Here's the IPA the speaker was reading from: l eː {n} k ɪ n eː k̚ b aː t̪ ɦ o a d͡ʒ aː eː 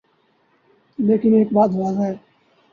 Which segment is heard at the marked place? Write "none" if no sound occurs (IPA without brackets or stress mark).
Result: none